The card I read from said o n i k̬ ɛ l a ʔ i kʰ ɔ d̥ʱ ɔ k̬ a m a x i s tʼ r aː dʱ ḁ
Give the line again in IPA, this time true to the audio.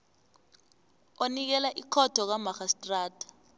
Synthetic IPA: o n i k̬ ɛ l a ʔ i kʰ ɔ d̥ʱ ɔ k̬ a m a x a s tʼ r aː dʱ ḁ